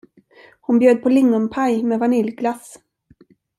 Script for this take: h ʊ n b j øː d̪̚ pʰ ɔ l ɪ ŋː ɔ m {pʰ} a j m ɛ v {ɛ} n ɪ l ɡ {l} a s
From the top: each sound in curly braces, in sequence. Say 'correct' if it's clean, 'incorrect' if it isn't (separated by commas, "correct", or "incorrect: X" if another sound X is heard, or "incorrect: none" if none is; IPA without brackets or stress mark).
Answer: correct, incorrect: a, correct